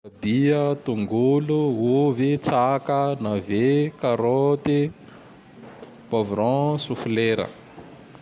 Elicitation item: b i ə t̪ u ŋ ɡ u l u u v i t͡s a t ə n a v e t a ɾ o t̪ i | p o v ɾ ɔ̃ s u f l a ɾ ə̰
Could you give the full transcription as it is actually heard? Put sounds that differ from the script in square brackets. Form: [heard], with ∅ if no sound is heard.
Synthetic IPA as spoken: b i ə t̪ u ŋ ɡ u l u u v i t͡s a [k] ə n a v e [k] a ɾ o t̪ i | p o v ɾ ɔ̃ s u f l [e] ɾ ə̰